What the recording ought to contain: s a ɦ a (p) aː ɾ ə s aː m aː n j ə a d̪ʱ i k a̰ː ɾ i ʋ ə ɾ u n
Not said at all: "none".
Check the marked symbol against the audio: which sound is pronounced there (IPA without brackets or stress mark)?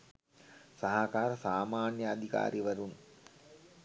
k